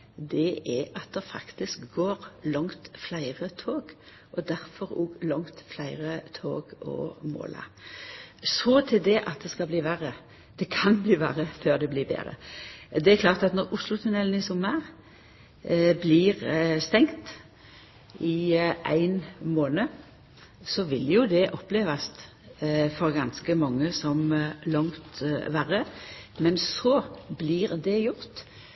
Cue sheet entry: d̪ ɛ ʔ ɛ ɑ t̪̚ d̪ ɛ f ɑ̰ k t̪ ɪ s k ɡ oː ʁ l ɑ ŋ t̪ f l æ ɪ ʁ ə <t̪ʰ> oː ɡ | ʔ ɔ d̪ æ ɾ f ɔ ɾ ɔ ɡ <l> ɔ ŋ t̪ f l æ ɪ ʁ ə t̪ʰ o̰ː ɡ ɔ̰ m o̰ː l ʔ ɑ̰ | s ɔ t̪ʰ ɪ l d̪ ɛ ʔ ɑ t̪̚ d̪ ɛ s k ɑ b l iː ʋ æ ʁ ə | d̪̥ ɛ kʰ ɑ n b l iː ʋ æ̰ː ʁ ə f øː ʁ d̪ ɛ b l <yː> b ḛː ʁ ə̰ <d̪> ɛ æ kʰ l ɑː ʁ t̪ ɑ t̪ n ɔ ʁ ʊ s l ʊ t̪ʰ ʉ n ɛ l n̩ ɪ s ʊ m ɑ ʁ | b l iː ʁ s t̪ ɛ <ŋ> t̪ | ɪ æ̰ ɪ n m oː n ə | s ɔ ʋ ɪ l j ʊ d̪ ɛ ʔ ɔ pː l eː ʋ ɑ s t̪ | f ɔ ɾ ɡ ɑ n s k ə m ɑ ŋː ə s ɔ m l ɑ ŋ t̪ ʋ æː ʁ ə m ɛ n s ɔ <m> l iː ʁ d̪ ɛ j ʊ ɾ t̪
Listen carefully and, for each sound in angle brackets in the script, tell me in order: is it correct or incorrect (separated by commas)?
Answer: correct, correct, incorrect, correct, correct, incorrect